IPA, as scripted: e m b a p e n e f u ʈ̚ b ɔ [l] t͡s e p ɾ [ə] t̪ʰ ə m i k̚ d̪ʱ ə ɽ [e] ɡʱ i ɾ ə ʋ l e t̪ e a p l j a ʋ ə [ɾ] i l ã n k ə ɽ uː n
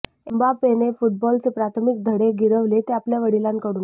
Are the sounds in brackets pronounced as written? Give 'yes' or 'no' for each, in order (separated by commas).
yes, no, yes, no